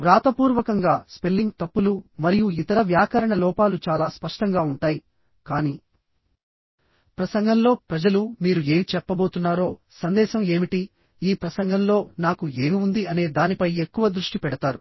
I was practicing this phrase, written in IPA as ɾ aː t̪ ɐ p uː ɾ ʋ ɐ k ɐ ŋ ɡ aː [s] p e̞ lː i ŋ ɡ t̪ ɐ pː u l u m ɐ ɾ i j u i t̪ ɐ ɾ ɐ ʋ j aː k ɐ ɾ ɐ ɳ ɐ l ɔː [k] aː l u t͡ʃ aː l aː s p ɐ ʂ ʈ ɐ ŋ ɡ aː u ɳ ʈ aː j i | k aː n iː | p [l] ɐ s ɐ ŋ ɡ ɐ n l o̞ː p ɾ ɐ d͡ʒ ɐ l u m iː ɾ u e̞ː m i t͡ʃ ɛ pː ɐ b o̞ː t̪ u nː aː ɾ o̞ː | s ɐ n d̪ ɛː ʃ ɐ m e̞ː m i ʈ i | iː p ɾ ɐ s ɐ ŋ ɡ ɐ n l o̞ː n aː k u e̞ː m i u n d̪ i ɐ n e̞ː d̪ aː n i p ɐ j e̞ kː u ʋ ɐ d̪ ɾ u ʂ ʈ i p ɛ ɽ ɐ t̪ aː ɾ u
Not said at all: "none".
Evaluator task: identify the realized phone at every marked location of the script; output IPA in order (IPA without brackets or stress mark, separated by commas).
s, p, ɾ